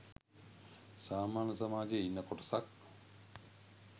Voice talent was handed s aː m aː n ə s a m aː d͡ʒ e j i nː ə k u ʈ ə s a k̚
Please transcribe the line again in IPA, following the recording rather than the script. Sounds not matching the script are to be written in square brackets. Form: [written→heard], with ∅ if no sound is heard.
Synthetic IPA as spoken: s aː m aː n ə s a m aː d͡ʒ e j i nː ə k [u→o] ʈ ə s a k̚

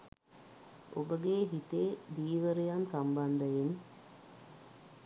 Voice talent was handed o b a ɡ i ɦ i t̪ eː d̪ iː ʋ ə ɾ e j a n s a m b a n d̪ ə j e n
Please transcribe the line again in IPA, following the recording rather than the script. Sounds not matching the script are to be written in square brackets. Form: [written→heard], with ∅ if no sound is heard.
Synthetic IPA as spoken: o b [a→ə] ɡ [i→e] ɦ i t̪ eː d̪ iː ʋ ə ɾ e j a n s a m b a n d̪ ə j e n

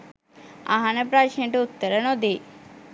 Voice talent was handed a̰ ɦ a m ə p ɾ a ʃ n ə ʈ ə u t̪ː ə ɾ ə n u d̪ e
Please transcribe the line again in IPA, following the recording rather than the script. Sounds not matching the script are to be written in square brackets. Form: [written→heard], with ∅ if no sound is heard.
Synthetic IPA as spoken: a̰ ɦ a [m→n] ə p ɾ a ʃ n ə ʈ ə u t̪ː ə ɾ ə n [u→o] d̪ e

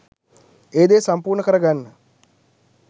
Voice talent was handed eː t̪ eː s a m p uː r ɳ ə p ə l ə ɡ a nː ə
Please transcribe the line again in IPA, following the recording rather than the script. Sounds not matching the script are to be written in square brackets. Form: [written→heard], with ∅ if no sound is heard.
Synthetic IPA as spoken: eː [t̪→d̪] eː s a m p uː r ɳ ə [p→k] ə [l→ɾ] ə ɡ a nː ə

